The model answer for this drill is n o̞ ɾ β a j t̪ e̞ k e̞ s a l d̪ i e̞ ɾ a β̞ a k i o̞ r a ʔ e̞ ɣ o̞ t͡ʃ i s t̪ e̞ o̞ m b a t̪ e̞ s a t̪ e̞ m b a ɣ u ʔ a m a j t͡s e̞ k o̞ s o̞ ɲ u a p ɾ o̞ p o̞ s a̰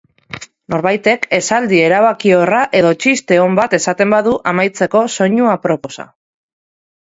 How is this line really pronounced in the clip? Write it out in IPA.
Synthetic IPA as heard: n o̞ ɾ β a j t̪ e̞ k e̞ s a l d̪ i e̞ ɾ a β̞ a k i o̞ r a ʔ e̞ ð o̞ t͡ʃ i s t̪ e̞ o̞ m b a t̪ e̞ s a t̪ e̞ m b a ð u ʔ a m a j t͡s e̞ k o̞ s o̞ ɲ u a p ɾ o̞ p o̞ s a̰